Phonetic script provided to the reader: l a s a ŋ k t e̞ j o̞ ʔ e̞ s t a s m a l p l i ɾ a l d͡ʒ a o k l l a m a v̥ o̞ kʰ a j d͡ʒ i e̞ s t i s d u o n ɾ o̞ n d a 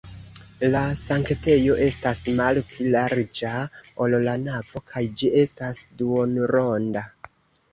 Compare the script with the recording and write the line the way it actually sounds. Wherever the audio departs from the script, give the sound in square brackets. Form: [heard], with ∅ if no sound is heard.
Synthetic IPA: l a s a ŋ k t e̞ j o̞ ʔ e̞ s t a s m a l p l i [l] a [ɾ] d͡ʒ a o [∅] l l a [n] a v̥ o̞ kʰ a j d͡ʒ i e̞ s t [a] s d u o n ɾ o̞ n d a